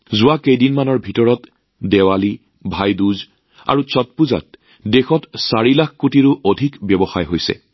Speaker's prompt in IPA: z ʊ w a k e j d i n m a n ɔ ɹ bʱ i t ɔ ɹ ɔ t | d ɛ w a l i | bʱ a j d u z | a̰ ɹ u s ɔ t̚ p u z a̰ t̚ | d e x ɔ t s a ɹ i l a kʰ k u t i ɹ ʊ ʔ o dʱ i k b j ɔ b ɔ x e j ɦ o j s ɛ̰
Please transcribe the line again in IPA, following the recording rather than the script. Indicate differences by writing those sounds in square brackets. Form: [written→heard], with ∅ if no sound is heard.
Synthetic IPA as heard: z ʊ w a k e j d i n m a n ɔ ɹ bʱ i t ɔ ɹ ɔ t | d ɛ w a l i | bʱ a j d u z | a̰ ɹ u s ɔ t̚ p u z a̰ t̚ | d e x ɔ t s a ɹ i l a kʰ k u t i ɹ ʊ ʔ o dʱ i k b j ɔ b ɔ x [e→a] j ɦ o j s ɛ̰

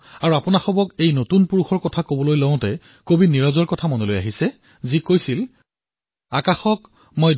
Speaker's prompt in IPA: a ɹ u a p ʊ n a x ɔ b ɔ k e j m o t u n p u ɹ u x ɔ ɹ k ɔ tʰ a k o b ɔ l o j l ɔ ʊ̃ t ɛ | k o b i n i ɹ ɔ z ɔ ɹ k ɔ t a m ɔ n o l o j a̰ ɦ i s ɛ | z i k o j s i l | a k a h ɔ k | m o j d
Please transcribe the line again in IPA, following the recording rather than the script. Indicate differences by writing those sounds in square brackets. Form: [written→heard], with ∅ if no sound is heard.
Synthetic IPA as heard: a ɹ u a p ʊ n a x ɔ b ɔ k e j [m→n] o t u n p u ɹ u x ɔ ɹ k ɔ tʰ a k o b ɔ l o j l ɔ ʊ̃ t ɛ | k o b i n i ɹ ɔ z ɔ ɹ k ɔ [t→tʰ] a m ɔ n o l o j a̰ ɦ i s ɛ | z i k o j s i l | a k a [h→x] ɔ k | m o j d

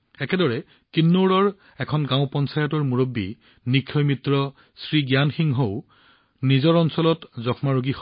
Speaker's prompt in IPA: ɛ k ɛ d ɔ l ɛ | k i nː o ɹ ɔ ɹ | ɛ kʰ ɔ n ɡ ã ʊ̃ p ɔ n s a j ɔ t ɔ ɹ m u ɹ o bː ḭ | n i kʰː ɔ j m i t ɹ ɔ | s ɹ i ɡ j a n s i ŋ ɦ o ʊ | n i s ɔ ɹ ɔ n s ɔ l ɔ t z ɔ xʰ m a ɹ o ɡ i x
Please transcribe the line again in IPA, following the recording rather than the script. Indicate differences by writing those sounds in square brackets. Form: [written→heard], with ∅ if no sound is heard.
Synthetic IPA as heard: ɛ k ɛ d ɔ [l→ɹ] ɛ | k i nː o ɹ ɔ ɹ | ɛ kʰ ɔ n ɡ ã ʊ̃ p ɔ n s a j ɔ t ɔ ɹ m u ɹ o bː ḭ | n i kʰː ɔ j m i t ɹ ɔ | s ɹ i ɡ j a n [s→x] i ŋ ɦ o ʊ | n i [s→z] ɔ ɹ ɔ n s ɔ l ɔ t z ɔ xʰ m a ɹ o ɡ i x

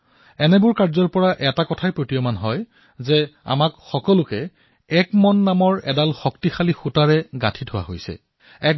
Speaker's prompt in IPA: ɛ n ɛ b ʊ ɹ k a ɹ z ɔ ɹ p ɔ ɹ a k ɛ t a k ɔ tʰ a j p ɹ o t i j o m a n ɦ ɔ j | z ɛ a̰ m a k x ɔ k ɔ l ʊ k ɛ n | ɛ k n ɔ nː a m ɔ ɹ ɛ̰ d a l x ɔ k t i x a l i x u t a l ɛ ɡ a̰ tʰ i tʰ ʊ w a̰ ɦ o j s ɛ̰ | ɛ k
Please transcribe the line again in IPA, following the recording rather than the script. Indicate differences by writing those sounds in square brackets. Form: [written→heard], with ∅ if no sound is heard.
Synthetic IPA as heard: ɛ n ɛ b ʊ ɹ k a ɹ z ɔ ɹ p ɔ ɹ a [k→ʔ] ɛ t a k ɔ tʰ a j p ɹ o t i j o m a n ɦ ɔ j | z ɛ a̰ m a k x ɔ k ɔ l ʊ k ɛ [n→∅] | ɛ k [n→m] ɔ nː a m ɔ ɹ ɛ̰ d a l x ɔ k t i x a l i x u t a [l→ɹ] ɛ ɡ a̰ tʰ i tʰ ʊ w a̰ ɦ o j s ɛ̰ | ɛ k

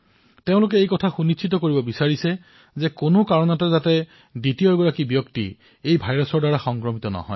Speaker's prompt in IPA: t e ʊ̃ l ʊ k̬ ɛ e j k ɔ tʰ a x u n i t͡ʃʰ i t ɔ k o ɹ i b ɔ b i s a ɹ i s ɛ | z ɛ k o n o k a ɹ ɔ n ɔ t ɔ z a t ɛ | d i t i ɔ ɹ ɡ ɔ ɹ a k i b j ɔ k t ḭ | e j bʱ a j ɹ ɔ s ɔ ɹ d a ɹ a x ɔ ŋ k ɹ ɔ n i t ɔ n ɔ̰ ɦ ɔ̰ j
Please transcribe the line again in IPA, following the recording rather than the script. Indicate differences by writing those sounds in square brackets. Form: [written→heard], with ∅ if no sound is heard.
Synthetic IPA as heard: t e ʊ̃ l ʊ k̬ ɛ e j k ɔ tʰ a x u n i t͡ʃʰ i t ɔ k o ɹ i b ɔ b i s a ɹ i s ɛ | z ɛ k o n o k a ɹ ɔ n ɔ t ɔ z a t ɛ | d i t i ɔ ɹ ɡ ɔ ɹ a k i b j ɔ k t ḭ | e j bʱ a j ɹ ɔ s ɔ ɹ d a ɹ a x ɔ ŋ k ɹ ɔ [n→m] i t ɔ n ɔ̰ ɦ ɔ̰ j

